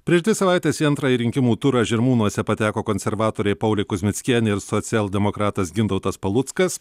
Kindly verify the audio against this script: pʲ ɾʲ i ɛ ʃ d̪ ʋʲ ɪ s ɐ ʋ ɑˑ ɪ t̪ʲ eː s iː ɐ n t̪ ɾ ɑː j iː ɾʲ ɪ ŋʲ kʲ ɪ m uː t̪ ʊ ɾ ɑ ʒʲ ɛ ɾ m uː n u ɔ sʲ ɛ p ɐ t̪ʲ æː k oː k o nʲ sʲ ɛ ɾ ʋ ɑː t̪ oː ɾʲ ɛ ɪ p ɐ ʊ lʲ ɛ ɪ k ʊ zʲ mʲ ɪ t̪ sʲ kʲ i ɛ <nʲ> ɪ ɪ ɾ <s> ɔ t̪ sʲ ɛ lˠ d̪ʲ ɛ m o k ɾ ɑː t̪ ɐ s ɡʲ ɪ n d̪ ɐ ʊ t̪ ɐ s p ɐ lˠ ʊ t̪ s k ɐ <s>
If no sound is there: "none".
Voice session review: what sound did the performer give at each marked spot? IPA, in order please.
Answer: nʲ, s, s

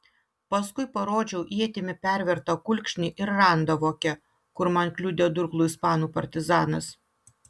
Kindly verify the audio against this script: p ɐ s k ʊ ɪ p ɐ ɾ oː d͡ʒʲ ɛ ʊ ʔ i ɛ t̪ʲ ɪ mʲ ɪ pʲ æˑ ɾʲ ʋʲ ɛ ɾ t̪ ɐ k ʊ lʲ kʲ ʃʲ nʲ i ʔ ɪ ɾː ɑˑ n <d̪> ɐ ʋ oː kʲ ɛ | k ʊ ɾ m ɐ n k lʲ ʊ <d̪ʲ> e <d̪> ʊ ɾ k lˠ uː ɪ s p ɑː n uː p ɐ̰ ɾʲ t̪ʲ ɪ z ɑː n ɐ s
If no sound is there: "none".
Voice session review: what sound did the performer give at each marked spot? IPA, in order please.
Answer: d̪, d̪ʲ, d̪

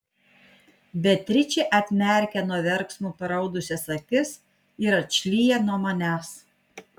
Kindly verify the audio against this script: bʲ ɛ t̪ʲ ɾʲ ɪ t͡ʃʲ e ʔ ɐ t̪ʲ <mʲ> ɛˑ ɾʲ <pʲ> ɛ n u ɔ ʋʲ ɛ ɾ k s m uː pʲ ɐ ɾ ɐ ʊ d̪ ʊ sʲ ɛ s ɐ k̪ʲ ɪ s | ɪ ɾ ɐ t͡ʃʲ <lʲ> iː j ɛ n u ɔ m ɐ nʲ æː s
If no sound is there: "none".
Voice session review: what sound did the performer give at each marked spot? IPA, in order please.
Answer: mʲ, kʲ, lʲ

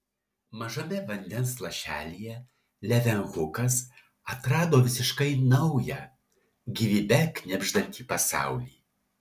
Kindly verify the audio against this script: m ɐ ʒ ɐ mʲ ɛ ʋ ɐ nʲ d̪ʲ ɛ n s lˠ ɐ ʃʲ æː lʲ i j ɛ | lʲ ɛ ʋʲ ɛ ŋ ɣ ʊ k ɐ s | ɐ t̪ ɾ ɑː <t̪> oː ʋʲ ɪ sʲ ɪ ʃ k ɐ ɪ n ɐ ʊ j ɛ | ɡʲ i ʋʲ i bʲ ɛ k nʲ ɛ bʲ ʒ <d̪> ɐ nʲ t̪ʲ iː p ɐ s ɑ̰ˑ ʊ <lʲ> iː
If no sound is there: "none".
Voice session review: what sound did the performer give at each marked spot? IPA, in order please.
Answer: d̪, d̪, lʲ

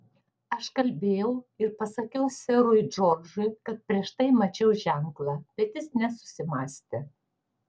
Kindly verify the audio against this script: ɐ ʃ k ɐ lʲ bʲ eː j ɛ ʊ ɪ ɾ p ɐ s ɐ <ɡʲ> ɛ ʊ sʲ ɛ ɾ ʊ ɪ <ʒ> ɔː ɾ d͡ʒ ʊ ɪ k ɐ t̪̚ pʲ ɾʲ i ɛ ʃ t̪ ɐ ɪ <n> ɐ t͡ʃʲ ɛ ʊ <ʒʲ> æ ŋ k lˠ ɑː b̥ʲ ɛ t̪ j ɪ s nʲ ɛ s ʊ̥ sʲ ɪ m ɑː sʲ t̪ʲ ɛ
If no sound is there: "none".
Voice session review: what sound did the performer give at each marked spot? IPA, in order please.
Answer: kʲ, d͡ʒ, m, ʒʲ

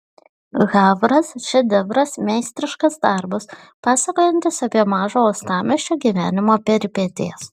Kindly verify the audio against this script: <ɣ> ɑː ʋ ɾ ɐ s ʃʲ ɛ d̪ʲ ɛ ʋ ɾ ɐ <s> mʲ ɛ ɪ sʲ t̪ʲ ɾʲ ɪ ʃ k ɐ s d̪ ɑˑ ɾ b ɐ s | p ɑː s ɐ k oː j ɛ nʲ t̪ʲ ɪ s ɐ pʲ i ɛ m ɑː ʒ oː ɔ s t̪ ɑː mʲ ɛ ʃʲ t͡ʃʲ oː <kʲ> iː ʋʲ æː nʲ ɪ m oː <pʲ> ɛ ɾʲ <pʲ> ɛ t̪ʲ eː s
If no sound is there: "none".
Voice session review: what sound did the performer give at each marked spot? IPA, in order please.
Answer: ɣ, s, ɡʲ, pʲ, pʲ

